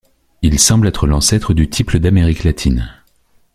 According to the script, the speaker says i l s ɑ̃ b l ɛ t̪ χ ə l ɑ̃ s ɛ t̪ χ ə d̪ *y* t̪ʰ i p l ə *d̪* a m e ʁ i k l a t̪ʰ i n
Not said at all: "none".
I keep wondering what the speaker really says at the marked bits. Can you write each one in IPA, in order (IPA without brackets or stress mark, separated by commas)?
y, d̪